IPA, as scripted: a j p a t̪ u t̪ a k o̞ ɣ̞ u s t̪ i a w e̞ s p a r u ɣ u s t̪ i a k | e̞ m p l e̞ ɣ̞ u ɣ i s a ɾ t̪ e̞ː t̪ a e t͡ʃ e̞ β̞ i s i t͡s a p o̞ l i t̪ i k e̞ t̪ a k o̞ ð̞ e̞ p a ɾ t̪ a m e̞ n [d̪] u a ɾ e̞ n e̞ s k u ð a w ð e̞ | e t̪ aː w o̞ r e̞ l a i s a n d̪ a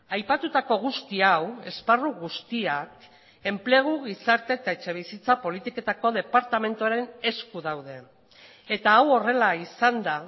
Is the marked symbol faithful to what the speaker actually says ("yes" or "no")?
no